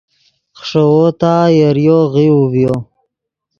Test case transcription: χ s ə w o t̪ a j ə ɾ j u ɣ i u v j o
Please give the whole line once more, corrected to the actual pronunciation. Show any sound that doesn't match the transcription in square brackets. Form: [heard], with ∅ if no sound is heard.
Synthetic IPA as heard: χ [ʂ] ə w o t̪ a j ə ɾ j [o] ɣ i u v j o